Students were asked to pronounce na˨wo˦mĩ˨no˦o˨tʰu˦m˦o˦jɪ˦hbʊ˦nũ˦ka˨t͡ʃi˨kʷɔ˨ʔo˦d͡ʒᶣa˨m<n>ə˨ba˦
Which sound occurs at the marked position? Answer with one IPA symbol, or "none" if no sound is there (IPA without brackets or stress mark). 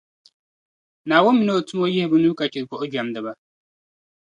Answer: d